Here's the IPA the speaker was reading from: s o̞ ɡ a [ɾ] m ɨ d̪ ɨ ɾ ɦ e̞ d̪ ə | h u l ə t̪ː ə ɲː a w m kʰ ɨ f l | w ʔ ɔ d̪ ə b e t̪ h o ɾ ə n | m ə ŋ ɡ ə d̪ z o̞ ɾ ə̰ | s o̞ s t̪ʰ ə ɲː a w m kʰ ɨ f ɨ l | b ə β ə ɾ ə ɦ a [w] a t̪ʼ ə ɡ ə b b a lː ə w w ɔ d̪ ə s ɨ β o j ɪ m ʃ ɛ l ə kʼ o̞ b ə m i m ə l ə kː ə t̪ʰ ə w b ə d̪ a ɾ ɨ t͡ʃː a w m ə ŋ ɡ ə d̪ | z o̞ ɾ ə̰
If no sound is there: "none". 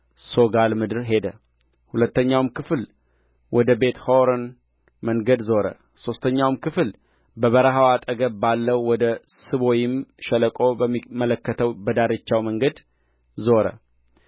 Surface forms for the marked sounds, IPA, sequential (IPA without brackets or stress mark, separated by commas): l, w